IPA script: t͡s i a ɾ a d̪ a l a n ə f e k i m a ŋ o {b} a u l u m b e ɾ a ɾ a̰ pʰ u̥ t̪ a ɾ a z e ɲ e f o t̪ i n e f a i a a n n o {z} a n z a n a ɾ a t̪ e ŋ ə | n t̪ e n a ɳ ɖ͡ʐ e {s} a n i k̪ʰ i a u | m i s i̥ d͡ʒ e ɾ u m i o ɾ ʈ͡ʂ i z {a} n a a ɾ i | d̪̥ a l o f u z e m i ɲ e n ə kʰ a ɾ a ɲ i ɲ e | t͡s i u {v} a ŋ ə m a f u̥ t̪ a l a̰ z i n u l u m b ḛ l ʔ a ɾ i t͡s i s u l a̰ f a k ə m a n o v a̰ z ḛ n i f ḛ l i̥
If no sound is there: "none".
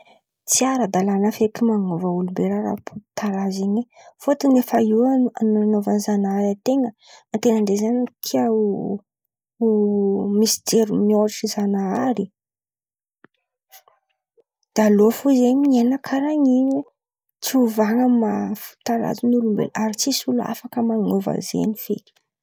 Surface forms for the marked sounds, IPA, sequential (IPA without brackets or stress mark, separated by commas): v, v, z, a, v